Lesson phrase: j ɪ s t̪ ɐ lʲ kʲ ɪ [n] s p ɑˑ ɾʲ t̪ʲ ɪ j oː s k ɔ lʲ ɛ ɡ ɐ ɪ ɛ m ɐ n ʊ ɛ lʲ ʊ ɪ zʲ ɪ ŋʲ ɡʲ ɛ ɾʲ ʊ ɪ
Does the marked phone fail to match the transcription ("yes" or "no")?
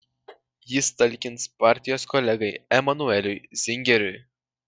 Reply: no